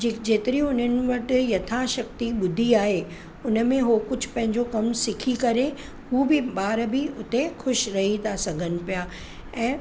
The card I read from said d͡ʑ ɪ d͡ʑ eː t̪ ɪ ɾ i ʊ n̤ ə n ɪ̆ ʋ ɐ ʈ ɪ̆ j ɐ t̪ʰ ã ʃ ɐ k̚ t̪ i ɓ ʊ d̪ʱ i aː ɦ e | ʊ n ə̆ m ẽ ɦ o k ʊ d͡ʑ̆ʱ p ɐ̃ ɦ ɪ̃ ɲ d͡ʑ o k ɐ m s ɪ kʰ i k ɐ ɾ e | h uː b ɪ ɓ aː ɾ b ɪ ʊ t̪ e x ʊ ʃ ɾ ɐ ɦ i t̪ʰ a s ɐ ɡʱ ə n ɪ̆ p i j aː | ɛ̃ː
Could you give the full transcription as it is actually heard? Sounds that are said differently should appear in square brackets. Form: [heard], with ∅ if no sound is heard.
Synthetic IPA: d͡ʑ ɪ d͡ʑ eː t̪ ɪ ɾ i ʊ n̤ ə n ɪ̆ ʋ ɐ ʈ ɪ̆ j ɐ t̪ʰ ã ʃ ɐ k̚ t̪ i ɓ ʊ d̪ʱ i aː ɦ e | ʊ n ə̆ m ẽ ɦ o k ʊ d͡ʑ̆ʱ p ɐ̃ ɦ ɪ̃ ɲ d͡ʑ o k ɐ m s ɪ kʰ i k ɐ ɾ e | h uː b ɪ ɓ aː ɾ b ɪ ʊ t̪ e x ʊ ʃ ɾ ɐ ɦ i t̪ʰ a s ɐ ɡʱ ə n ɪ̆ p i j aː | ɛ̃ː